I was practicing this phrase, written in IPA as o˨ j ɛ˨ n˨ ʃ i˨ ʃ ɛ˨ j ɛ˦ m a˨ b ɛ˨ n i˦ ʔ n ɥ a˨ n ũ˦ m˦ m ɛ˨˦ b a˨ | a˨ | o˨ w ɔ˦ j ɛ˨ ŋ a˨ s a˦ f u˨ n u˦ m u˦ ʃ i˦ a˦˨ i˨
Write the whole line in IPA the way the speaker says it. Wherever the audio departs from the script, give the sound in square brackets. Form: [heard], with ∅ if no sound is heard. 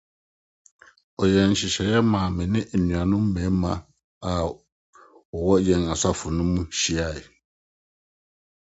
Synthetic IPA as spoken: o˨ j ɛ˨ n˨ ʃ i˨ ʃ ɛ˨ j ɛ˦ m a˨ [m] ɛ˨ n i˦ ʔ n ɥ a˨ n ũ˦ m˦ m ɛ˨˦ [m] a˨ | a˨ | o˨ w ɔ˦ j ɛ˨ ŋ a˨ s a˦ f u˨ n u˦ m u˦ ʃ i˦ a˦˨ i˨